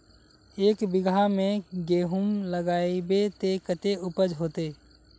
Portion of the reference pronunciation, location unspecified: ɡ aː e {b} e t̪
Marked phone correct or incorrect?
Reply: correct